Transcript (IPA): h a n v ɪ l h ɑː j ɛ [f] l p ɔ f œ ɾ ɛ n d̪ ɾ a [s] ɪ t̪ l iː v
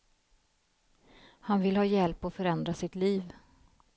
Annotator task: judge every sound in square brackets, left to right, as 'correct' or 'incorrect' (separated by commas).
incorrect, correct